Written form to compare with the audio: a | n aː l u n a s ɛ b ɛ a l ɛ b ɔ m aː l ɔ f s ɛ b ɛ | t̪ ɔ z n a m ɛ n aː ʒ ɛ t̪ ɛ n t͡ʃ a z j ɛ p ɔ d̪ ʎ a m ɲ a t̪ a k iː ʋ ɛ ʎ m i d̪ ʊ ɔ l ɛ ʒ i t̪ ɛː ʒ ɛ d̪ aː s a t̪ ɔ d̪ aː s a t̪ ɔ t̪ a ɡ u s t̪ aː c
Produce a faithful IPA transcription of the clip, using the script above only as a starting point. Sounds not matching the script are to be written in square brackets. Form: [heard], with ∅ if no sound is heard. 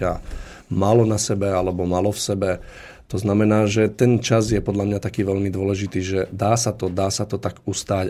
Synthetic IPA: a | [m] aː l [ɔ] n a s ɛ b ɛ a l ɛ b ɔ m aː l ɔ f s ɛ b ɛ | t̪ ɔ z n a m ɛ n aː ʒ ɛ t̪ ɛ n t͡ʃ a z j ɛ p ɔ d̪ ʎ a m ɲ a t̪ a k iː ʋ ɛ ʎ m i d̪ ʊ ɔ l ɛ ʒ i t̪ [iː] ʒ ɛ d̪ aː s a t̪ ɔ d̪ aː s a t̪ ɔ t̪ a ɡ u s t̪ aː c